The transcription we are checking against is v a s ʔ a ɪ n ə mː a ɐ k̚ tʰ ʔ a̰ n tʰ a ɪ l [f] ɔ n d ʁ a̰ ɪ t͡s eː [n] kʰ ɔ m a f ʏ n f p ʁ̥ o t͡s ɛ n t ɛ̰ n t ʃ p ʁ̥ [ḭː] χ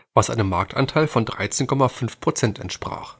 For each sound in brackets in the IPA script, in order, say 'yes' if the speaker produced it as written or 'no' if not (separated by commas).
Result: yes, yes, no